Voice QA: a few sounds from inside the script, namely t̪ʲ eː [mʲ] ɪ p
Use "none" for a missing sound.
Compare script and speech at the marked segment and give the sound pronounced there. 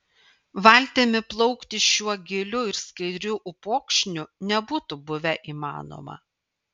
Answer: mʲ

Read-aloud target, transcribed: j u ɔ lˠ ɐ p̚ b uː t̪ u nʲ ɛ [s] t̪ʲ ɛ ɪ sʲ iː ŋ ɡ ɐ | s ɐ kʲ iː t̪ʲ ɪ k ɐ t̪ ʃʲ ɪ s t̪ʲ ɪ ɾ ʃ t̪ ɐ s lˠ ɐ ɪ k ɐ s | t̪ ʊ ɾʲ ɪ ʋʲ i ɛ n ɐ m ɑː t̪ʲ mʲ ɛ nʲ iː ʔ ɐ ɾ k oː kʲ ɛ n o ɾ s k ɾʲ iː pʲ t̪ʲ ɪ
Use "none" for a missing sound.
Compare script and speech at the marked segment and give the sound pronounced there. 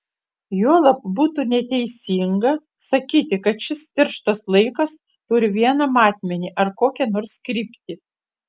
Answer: none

